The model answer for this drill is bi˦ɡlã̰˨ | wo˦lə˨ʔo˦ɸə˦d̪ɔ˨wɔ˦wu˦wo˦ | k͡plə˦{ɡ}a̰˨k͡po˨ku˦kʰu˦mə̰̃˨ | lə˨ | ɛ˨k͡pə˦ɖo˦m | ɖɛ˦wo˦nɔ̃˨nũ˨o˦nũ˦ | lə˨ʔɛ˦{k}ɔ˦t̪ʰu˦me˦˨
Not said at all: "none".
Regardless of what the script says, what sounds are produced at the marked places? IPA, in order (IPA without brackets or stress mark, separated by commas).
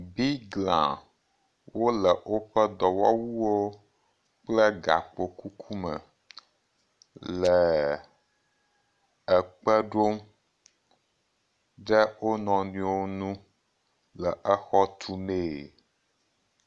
ɡ, x